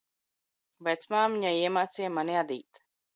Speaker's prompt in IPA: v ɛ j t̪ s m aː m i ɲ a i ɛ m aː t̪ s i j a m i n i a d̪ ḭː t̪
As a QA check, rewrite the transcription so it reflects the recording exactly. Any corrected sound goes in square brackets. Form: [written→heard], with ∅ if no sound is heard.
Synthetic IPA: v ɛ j t̪ s m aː m i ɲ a i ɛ m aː t̪ s i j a m [i→a] n i a d̪ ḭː t̪